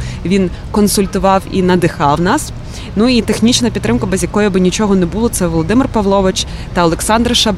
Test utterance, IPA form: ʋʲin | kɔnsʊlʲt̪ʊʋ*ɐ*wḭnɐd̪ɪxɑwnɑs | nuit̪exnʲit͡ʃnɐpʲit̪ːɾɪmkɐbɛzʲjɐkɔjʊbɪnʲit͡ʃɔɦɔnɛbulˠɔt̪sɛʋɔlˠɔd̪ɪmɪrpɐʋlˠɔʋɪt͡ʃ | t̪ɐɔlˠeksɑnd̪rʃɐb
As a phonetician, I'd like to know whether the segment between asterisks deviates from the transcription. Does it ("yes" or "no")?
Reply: yes